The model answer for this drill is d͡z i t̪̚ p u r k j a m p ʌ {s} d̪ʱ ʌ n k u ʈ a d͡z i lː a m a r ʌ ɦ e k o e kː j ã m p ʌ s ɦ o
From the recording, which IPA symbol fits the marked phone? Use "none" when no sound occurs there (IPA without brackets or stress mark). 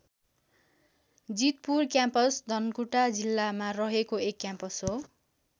s